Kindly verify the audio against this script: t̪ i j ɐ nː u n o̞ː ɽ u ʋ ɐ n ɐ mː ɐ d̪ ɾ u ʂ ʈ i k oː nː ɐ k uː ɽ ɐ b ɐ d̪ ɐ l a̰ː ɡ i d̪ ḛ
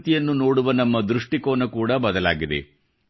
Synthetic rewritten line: t̪ i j ɐ nː u n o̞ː ɽ u ʋ ɐ n ɐ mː ɐ d̪ ɾ u ʂ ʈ i k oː n ɐ k uː ɽ ɐ b ɐ d̪ ɐ l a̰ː ɡ i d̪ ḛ